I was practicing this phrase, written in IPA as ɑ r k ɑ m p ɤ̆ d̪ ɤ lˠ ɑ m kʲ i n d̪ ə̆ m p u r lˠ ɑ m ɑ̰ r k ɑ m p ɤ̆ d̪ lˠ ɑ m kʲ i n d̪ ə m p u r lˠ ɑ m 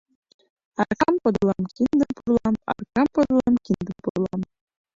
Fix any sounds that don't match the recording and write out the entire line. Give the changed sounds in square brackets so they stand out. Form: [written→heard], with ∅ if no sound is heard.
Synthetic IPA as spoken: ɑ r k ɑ m p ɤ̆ d̪ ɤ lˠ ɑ m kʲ i n d̪ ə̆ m p u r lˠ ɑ m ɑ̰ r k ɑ m p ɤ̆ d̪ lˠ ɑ m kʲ i n d̪ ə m p u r lˠ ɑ m